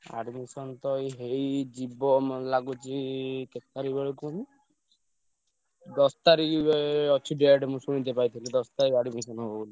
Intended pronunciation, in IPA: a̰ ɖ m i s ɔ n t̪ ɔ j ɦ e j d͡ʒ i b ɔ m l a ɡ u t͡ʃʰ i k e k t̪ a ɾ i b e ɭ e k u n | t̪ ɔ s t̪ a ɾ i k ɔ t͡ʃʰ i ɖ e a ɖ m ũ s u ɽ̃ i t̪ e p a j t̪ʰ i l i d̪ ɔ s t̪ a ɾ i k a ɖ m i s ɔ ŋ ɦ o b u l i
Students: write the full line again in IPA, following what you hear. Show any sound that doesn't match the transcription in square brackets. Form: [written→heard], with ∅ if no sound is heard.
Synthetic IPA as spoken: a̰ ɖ m i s ɔ n t̪ ɔ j ɦ e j d͡ʒ i b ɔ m l a ɡ u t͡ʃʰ i k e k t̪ a ɾ i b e ɭ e k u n | [t̪→d̪] ɔ s t̪ a ɾ i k ɔ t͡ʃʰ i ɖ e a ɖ m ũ s u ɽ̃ i t̪ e p a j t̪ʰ i l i d̪ ɔ s t̪ a ɾ i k a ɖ m i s ɔ [ŋ→n] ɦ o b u l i